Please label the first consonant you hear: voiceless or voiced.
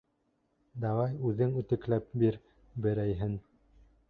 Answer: voiced